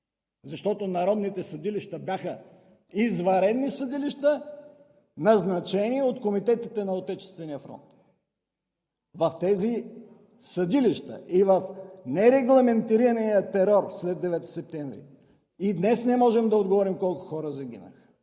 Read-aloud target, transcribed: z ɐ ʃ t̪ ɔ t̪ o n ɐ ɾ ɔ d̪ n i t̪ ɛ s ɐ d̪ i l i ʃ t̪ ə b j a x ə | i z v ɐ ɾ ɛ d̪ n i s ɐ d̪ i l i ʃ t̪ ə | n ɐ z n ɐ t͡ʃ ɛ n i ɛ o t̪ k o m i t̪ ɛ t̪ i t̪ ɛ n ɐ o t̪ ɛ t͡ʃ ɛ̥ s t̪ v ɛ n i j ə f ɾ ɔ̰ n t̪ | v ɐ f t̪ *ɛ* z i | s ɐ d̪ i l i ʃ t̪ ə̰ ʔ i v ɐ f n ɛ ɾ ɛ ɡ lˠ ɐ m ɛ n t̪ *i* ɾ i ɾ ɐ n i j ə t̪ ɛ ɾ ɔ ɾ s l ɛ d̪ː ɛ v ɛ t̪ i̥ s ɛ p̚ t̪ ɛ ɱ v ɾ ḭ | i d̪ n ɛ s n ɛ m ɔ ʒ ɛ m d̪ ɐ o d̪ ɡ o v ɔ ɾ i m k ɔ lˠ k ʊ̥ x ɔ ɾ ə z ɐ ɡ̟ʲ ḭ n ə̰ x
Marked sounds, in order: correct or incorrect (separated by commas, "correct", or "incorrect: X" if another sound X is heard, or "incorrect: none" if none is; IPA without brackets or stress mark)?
correct, correct